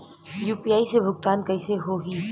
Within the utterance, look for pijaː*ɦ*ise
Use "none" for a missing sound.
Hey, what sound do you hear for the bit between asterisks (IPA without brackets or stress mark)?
none